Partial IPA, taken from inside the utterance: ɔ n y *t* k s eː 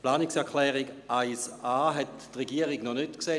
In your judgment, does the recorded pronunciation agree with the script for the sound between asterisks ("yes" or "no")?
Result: yes